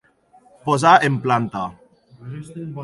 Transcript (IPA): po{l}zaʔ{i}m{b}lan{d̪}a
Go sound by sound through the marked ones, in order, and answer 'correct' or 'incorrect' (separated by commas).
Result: incorrect, incorrect, incorrect, incorrect